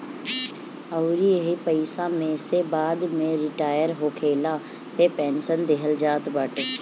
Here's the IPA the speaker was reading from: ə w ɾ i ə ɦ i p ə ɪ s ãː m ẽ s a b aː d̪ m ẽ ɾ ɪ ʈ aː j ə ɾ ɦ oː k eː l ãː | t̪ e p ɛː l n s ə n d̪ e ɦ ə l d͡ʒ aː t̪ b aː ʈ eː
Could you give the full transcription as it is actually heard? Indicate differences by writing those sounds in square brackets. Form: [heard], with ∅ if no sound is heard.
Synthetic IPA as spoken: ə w ɾ i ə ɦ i p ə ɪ s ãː m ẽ s [e] b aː d̪ m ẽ ɾ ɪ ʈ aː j ə ɾ ɦ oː [kʰ] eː l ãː | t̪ e p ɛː [∅] n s ə n d̪ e ɦ ə l d͡ʒ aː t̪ b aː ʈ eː

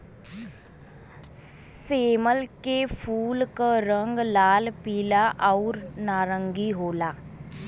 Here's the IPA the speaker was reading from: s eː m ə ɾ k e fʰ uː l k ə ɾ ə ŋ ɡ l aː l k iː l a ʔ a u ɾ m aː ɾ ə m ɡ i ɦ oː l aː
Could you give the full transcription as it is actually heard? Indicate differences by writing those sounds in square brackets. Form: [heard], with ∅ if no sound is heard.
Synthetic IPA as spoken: s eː m ə [l] k e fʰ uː l k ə ɾ ə ŋ ɡ l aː l [p] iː l a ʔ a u ɾ [n] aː ɾ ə [ŋ] ɡ i ɦ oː l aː

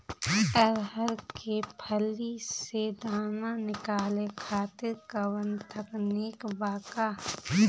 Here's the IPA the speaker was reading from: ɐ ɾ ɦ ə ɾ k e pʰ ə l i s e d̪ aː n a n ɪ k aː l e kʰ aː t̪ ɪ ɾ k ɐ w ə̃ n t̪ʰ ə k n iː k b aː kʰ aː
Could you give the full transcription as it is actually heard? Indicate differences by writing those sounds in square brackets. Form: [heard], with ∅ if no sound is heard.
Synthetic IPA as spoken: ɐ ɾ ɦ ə ɾ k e pʰ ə l i s e d̪ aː n a n ɪ k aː l e kʰ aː t̪ ɪ ɾ k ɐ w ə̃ n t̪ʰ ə k n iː k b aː [k] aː

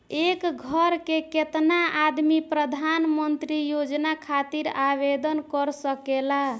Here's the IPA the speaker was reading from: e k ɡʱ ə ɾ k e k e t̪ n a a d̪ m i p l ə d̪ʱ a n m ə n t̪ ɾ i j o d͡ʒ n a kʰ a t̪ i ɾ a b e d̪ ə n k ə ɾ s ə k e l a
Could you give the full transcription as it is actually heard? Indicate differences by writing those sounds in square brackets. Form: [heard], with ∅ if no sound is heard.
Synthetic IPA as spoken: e k ɡʱ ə ɾ k e k e t̪ n a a d̪ m i p [ɾ] ə d̪ʱ a n m ə n t̪ ɾ i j o d͡ʒ n a kʰ a t̪ i ɾ a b e d̪ ə n k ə ɾ s ə k e l a

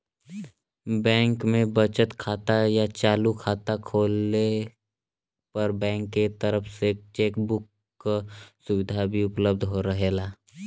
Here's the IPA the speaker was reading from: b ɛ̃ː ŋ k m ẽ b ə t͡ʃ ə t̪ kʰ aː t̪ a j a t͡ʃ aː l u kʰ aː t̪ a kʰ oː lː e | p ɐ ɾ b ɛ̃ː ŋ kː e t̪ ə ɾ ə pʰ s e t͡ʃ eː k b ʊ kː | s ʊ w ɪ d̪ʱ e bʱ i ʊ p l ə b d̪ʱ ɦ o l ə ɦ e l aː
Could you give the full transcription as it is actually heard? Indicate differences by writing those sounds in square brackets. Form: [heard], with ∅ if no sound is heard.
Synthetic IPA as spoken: b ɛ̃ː ŋ k m ẽ b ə t͡ʃ ə t̪ kʰ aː t̪ a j a t͡ʃ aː l u kʰ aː t̪ a kʰ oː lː e | p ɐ ɾ b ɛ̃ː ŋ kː e t̪ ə ɾ ə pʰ s e t͡ʃ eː k b ʊ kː | s ʊ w ɪ d̪ʱ [a] bʱ i ʊ p l ə b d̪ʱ ɦ o [ɾ] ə ɦ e l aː

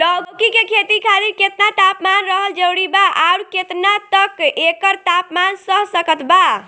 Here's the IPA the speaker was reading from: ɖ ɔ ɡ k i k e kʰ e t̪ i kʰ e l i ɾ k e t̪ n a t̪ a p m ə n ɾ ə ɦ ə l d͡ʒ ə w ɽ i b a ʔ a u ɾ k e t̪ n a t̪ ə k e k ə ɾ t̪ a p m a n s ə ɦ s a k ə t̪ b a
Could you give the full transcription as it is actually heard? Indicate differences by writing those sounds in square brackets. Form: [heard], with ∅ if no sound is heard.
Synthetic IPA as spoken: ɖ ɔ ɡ k i k e kʰ e t̪ i kʰ [a] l i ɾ k e t̪ n a t̪ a p m [a] n ɾ ə ɦ ə l d͡ʒ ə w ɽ i b a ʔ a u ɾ k e t̪ n a t̪ ə k e k ə ɾ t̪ a p m a n s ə ɦ s [ə] k ə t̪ b a

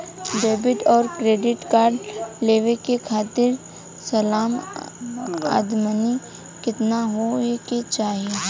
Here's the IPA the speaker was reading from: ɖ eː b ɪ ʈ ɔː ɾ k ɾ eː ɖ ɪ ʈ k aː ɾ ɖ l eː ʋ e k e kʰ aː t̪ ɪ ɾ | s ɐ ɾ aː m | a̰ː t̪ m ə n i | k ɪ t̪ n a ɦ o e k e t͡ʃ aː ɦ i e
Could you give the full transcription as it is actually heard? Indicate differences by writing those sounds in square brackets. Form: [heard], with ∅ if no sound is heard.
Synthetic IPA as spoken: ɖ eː b ɪ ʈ ɔː ɾ k ɾ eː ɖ ɪ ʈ k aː ɾ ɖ l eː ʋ e k e kʰ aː t̪ ɪ ɾ | s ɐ [l] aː m | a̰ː [d̪] m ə n i | k ɪ t̪ n a ɦ o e k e t͡ʃ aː ɦ i e

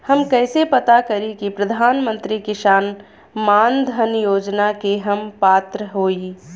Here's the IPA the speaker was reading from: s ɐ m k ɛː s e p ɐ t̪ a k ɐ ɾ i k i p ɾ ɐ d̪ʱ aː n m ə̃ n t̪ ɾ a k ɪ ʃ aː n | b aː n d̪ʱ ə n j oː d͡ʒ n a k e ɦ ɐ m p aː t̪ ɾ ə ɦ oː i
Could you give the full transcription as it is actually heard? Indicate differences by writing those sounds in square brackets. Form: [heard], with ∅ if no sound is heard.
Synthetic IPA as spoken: [h] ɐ m k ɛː s e p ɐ t̪ a k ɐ ɾ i k i p ɾ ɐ d̪ʱ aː n m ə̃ n t̪ ɾ [i] k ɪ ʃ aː n | [m] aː n d̪ʱ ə n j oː d͡ʒ n a k e ɦ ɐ m p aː t̪ ɾ ə ɦ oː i

